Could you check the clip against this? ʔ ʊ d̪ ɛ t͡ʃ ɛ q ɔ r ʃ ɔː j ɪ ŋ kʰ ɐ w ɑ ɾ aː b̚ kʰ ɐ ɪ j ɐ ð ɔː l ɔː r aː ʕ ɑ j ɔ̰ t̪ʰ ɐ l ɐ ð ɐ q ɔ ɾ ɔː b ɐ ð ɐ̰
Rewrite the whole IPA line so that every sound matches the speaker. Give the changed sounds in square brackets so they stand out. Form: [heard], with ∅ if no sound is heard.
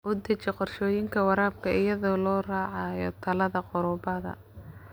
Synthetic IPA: ʔ ʊ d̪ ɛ t͡ʃ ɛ q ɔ r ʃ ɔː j ɪ ŋ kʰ ɐ w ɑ ɾ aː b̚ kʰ ɐ ɪ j ɐ ð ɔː l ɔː r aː ʕ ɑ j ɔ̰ t̪ʰ ɐ l ɐ ð ɐ q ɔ ɾ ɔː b ɐ ð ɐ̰